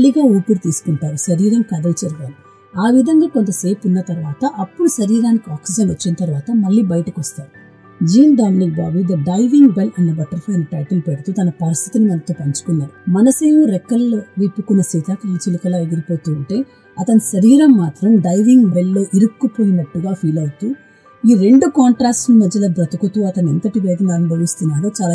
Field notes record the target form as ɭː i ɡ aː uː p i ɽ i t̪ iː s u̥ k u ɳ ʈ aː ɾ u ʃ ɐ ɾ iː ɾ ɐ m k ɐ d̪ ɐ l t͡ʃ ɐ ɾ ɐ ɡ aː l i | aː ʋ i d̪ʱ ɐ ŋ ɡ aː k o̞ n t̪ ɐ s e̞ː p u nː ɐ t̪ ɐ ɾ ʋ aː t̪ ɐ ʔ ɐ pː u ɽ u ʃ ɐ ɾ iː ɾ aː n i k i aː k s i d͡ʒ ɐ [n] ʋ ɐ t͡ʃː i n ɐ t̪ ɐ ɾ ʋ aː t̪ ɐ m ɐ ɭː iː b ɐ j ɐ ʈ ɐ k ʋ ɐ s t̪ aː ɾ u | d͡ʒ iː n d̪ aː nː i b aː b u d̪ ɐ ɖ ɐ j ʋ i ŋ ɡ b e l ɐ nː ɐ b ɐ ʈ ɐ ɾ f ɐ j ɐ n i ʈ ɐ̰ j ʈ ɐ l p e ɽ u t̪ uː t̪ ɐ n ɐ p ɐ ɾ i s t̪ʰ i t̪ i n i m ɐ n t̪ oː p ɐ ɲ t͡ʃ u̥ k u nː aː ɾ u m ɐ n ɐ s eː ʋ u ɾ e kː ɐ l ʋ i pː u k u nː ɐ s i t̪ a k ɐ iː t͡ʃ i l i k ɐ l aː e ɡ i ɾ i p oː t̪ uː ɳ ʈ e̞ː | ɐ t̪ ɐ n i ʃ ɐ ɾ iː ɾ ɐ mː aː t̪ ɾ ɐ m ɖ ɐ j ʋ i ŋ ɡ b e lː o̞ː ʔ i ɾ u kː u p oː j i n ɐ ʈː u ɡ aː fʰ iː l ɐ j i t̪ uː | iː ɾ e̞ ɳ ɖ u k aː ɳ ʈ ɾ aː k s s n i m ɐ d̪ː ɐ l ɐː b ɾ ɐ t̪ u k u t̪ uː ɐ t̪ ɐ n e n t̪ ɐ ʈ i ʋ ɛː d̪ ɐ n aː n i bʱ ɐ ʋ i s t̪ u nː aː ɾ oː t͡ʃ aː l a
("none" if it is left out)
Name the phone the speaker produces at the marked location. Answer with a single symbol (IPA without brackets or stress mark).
n